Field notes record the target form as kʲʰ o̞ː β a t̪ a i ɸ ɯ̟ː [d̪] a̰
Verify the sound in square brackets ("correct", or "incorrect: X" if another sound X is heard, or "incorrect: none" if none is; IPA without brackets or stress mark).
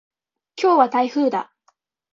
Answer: correct